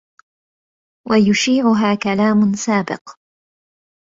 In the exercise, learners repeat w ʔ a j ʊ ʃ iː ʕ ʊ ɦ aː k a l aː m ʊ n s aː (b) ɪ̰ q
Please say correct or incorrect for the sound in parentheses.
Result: correct